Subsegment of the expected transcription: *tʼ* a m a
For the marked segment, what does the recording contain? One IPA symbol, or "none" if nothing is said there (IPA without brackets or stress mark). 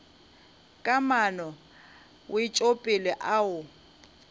kʼ